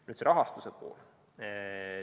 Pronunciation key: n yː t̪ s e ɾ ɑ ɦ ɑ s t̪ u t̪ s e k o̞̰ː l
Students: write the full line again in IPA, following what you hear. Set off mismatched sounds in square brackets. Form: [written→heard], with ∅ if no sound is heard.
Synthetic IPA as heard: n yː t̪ s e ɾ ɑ ɦ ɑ s t̪ u [t̪→∅] s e [k→p] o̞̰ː l